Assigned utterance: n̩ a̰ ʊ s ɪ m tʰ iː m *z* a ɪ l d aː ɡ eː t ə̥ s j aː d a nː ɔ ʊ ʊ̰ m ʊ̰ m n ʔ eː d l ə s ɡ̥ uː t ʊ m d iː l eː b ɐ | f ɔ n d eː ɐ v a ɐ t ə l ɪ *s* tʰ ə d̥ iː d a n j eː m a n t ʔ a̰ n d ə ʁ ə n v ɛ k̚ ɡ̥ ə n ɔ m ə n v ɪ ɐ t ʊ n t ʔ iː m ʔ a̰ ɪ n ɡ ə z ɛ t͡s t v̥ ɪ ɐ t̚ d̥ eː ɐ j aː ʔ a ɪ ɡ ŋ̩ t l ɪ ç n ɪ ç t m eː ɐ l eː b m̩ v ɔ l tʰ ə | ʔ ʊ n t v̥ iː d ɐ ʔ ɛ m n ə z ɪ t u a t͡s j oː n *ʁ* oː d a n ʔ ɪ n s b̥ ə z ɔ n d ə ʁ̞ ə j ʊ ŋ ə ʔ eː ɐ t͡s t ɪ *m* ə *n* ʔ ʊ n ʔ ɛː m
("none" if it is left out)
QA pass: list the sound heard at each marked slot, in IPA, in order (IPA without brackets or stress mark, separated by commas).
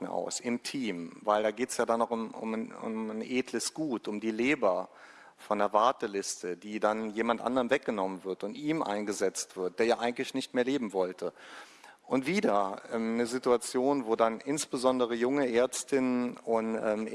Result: v, s, v, n, n